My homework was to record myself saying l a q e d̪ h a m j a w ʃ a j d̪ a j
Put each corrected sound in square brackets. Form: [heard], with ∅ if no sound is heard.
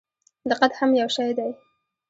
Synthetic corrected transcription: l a q [a] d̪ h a m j a w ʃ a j d̪ a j